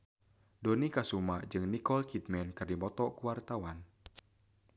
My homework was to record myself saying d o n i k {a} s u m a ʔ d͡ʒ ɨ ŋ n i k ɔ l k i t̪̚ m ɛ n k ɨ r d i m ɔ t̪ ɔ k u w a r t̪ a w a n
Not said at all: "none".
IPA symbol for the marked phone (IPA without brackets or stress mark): a